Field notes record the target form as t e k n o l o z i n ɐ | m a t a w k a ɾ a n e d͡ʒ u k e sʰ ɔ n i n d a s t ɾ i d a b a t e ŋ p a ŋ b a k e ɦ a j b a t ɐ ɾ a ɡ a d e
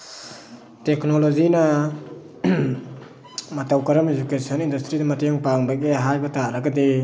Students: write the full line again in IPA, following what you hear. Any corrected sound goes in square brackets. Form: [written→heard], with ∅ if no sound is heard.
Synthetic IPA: t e k n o l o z i n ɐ | m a t a w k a ɾ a [n→m] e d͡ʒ u k e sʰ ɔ n i n d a s t ɾ i d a [b→m] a t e ŋ p a ŋ b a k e ɦ a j b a t [ɐ→a] ɾ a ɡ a d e